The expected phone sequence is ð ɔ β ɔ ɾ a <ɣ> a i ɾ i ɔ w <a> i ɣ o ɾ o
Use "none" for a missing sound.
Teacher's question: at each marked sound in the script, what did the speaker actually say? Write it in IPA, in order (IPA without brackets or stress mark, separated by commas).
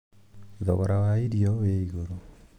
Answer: w, e